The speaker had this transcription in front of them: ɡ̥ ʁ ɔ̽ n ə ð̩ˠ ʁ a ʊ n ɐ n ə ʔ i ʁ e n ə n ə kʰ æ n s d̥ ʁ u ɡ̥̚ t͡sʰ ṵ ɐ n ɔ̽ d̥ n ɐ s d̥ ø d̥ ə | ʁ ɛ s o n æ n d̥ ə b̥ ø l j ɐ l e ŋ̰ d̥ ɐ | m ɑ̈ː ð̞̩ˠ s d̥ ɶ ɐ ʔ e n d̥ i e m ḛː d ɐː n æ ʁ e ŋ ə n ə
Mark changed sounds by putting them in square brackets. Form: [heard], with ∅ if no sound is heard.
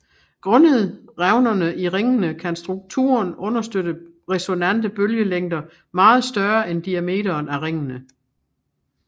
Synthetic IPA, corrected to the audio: ɡ̥ ʁ ɔ̽ n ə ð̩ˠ ʁ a ʊ n ɐ n ə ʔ i ʁ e [ŋ] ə n ə kʰ æ n s d̥ ʁ u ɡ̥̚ t͡sʰ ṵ ɐ n ɔ̽ [∅] n ɐ s d̥ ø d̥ ə | ʁ ɛ s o n æ n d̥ ə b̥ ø l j [ə] l e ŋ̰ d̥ ɐ | m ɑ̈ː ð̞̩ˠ s d̥ ɶ ɐ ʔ e n d̥ i [æ] m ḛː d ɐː n æ ʁ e ŋ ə n ə